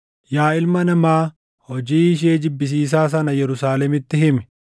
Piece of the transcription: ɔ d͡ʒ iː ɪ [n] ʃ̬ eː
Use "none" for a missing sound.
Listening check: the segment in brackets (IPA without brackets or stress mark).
none